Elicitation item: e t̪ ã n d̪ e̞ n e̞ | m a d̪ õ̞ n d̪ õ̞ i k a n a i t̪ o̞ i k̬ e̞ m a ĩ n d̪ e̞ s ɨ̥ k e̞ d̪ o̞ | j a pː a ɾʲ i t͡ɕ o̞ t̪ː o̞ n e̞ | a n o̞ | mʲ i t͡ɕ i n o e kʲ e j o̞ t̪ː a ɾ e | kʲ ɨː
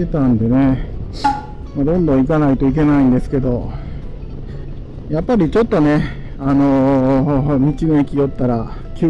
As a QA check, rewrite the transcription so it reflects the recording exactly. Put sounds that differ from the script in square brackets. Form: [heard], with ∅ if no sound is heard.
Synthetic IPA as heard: e t̪ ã n d̪ e̞ n e̞ | m a d̪ õ̞ n d̪ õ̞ i k a n a i t̪ o̞ i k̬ e̞ [n] a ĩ n d̪ e̞ s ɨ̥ k e̞ d̪ o̞ | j a pː a ɾʲ i t͡ɕ o̞ t̪ː o̞ n e̞ | a n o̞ | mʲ i t͡ɕ i n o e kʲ [i] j o̞ t̪ː a ɾ [a] | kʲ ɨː